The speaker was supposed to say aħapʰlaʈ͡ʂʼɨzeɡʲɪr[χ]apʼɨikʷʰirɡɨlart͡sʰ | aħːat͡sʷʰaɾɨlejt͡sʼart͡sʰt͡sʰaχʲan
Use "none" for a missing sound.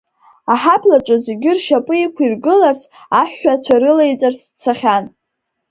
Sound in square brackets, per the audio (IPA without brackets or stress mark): ʃ